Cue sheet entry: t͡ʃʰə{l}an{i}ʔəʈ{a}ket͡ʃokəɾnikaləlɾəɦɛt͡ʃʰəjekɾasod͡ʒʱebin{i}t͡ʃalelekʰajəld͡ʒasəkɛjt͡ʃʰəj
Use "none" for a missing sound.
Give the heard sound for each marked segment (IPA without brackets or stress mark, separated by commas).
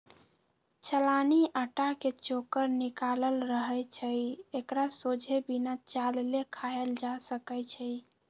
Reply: l, i, a, a